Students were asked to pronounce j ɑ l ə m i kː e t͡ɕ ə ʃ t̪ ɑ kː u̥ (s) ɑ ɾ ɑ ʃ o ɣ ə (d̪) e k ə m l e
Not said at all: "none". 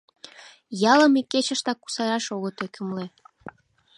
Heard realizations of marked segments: s, t̪

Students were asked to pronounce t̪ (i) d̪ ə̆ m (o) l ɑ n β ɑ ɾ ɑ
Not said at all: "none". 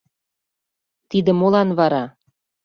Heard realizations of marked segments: i, o

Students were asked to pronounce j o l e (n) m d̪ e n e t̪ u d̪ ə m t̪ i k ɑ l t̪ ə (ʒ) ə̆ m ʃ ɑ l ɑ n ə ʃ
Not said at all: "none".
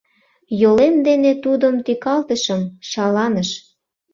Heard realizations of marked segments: none, ʃ

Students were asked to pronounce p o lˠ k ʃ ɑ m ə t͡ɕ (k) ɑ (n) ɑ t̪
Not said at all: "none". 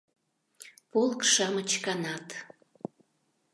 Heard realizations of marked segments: k, n

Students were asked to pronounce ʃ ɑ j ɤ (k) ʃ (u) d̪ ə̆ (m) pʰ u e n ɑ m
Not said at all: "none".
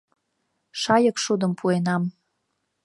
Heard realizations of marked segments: k, u, m

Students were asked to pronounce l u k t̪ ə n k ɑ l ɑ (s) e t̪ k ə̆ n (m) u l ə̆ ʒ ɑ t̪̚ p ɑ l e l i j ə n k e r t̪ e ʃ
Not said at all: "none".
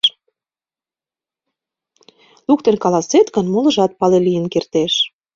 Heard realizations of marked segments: s, m

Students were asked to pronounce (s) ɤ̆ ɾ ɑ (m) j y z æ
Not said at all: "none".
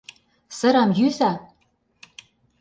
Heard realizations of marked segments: s, m

